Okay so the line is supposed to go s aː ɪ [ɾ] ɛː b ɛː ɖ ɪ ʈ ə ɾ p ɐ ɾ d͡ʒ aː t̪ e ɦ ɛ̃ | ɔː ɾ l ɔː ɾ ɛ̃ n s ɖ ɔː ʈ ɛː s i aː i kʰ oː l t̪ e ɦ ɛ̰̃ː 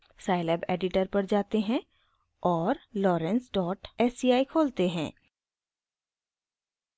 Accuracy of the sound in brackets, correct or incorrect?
incorrect